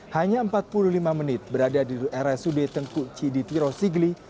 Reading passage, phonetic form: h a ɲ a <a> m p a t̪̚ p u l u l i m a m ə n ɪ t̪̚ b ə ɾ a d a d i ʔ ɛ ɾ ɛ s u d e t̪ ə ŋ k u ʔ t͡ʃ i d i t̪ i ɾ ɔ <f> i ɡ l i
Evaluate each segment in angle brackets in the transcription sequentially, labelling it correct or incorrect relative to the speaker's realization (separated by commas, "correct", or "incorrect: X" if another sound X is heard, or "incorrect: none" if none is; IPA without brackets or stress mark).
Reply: incorrect: ə, incorrect: s